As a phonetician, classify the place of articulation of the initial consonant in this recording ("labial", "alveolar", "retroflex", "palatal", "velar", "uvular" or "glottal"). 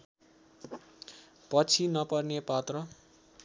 labial